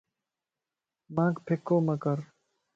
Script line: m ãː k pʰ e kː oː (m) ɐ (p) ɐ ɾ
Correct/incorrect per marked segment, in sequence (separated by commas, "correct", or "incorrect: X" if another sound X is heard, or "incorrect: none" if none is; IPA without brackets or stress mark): correct, incorrect: k